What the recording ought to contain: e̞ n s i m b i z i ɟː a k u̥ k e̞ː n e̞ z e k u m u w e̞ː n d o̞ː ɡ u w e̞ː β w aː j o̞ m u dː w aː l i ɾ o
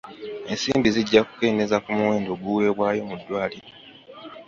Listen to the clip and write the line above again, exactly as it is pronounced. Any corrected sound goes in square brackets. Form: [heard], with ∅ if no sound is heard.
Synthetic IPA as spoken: e̞ n s [iː] m b i z i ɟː a k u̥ k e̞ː n e̞ z [a] k u m u w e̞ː n d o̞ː ɡ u w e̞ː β w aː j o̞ m u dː w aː l i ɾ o